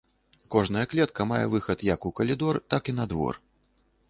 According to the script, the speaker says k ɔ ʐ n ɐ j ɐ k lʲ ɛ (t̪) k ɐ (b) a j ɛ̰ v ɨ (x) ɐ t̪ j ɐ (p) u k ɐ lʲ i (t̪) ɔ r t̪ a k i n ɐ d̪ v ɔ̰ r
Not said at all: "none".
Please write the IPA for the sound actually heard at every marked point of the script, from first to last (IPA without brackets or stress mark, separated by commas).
t̪, m, x, k, d̪